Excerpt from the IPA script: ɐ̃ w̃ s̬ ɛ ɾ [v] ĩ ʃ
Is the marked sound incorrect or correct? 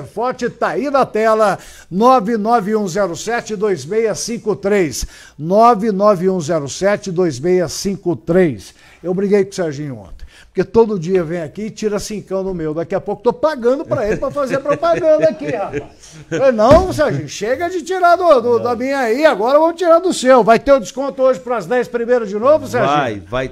incorrect